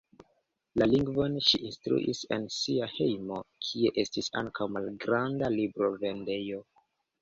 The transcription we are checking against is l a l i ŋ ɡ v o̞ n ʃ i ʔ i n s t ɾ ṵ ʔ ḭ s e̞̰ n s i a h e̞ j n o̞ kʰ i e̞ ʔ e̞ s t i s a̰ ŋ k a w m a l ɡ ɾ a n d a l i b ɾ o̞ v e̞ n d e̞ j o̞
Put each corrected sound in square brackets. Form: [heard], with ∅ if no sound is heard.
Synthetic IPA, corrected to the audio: l a l i ŋ ɡ v o̞ n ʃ i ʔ i n s t ɾ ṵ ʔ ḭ s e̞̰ n s i a h e̞ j [m] o̞ kʰ i e̞ ʔ e̞ s t i s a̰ ŋ k a w m a l ɡ ɾ a n d a l i b ɾ o̞ v e̞ n d e̞ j o̞

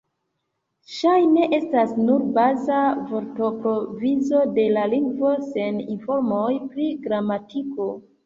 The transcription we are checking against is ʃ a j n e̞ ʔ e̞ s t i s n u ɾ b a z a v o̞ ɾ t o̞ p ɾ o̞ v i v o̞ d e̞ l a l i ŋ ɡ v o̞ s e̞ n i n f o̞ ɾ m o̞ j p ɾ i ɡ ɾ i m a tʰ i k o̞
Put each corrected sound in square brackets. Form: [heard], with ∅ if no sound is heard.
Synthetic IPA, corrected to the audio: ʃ a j n e̞ ʔ e̞ s t [a] s n u ɾ b a z a v o̞ ɾ t o̞ p ɾ o̞ v i [z] o̞ d e̞ l a l i ŋ ɡ v o̞ s e̞ n i n f o̞ ɾ m o̞ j p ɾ i ɡ ɾ [a] m a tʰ i k o̞

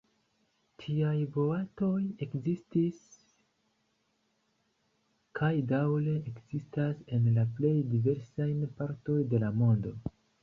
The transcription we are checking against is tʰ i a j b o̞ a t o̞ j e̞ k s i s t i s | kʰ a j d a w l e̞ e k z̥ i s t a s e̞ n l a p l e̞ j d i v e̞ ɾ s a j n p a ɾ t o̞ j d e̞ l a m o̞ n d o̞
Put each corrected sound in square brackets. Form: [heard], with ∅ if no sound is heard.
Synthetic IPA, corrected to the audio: tʰ i a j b o̞ a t o̞ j e̞ k [z] i s t i s | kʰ a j d a w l e̞ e k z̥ i s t a s e̞ n l a p l e̞ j d i v e̞ ɾ s a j n p a ɾ t o̞ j d e̞ l a m o̞ n d o̞

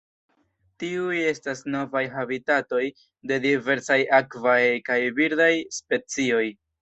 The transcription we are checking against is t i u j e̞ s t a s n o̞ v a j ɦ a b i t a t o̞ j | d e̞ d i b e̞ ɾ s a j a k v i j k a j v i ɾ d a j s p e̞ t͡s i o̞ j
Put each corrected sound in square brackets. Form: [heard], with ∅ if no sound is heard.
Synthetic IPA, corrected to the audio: t i u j e̞ s t a s n o̞ v a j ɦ a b i t a t o̞ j | d e̞ d i [v] e̞ ɾ s a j a k v [a] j k a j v i ɾ d a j s p e̞ t͡s i o̞ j

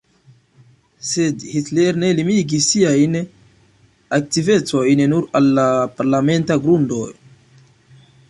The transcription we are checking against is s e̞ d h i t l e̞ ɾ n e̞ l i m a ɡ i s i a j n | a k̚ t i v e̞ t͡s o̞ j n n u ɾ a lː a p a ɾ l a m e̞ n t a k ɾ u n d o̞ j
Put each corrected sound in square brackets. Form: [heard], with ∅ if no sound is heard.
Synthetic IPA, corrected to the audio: s e̞ d h i t l e̞ ɾ n e̞ l i m [i] ɡ i s i a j n | a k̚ t i v e̞ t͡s o̞ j n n u ɾ a lː a p a ɾ l a m e̞ n t a [ɡ] ɾ u n d o̞ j

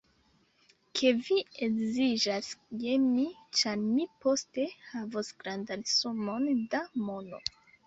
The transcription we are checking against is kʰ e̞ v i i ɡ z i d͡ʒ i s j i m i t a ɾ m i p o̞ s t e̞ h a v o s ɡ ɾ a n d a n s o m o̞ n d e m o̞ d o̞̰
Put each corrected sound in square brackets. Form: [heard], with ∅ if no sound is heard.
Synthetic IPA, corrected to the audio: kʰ e̞ v i [e] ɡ z i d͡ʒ [a] s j [e] m i [t͡ʃ] a ɾ m i p o̞ s t e̞ h a v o s ɡ ɾ a n d a n s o m o̞ n d [a] m o̞ [n] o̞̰

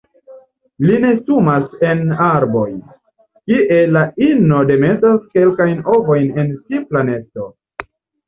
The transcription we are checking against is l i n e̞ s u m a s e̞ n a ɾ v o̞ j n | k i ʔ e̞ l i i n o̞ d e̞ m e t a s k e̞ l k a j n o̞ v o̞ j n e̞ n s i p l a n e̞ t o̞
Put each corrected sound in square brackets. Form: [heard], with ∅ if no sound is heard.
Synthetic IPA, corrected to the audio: l i n e̞ s u m a s e̞ n a ɾ [b] o̞ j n | k i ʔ e̞ l [a] i n o̞ d e̞ m e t a s k e̞ l k a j n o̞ v o̞ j n e̞ n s i p l a n e̞ t o̞

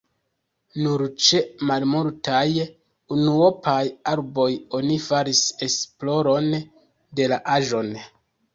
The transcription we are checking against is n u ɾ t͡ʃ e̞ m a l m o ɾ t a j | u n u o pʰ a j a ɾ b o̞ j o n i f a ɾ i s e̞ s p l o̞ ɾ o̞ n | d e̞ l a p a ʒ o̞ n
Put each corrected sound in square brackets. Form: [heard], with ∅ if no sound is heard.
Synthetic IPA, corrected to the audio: n u ɾ t͡ʃ e̞ m a l m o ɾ t a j | u n u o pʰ a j a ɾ b o̞ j o n i f a ɾ i s e̞ s p l o̞ ɾ o̞ n | d e̞ l a [ʔ] a ʒ o̞ n

